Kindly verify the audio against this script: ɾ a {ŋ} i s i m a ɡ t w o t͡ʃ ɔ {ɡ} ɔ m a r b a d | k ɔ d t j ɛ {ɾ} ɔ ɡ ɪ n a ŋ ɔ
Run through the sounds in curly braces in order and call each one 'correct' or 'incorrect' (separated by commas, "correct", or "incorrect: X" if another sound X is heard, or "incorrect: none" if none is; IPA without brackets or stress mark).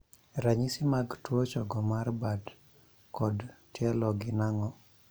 incorrect: ɲ, correct, incorrect: l